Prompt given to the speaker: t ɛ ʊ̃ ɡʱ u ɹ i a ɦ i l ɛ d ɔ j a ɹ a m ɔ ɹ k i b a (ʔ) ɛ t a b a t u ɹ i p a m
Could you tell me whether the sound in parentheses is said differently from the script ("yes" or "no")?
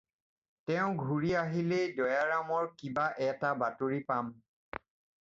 no